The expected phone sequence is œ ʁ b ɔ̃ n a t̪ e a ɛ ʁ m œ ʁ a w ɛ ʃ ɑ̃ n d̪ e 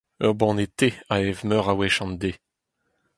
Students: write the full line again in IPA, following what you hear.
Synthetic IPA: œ ʁ b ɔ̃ n e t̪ e a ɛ v m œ ʁ a w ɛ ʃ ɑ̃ n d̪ e